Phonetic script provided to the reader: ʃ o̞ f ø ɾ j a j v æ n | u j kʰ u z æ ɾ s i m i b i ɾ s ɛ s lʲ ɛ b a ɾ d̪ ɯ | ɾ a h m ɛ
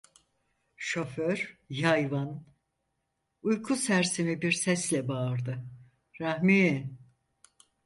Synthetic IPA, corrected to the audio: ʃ o̞ f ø ɾ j a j v a n | u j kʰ u s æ ɾ s i m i b i ɾ s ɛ s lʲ ɛ b a ɾ d̪ ɯ | ɾ a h m i